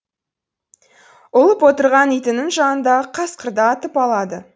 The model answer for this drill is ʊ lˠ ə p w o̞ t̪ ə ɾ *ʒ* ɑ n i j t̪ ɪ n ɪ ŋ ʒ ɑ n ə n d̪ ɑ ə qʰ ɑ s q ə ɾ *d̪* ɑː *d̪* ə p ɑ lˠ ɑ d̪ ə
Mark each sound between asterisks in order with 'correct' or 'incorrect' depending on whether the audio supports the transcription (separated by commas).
incorrect, correct, incorrect